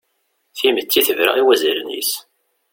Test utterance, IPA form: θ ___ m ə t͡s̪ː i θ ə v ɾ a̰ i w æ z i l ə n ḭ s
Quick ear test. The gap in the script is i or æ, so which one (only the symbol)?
i